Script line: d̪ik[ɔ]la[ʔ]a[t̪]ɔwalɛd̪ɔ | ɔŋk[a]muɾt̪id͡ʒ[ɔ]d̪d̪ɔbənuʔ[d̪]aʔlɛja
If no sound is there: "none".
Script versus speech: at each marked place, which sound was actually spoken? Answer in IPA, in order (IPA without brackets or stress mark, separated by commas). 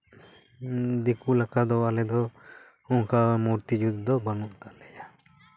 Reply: u, k, d̪, a, u, t̪